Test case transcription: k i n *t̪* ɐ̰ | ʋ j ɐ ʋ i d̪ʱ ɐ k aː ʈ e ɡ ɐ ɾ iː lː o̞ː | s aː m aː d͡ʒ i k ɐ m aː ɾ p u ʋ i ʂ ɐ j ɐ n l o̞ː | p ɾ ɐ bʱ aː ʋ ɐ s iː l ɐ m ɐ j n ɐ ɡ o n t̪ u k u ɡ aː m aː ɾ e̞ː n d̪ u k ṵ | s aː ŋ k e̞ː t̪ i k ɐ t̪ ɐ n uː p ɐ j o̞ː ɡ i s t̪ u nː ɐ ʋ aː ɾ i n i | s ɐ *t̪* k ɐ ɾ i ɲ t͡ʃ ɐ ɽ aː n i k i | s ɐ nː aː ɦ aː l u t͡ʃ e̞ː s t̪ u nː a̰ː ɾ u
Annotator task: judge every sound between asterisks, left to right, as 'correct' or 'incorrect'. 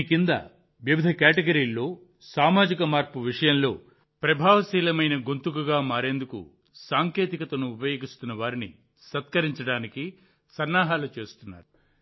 incorrect, correct

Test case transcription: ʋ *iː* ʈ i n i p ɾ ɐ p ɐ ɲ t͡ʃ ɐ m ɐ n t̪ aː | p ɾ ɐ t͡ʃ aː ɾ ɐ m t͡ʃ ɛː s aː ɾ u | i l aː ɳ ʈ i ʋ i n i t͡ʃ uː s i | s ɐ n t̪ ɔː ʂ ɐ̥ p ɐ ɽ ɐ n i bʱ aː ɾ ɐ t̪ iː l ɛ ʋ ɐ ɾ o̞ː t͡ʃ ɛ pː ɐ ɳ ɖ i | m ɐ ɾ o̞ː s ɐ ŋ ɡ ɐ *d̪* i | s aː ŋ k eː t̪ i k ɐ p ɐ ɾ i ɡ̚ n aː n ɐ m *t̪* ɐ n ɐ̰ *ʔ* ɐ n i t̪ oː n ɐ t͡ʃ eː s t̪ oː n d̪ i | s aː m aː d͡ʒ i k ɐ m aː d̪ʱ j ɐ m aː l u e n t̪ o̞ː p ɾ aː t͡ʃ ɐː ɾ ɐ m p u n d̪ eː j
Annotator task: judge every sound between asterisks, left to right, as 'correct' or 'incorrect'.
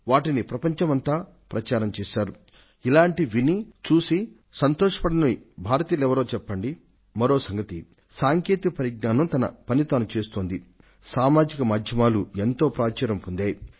incorrect, incorrect, correct, incorrect

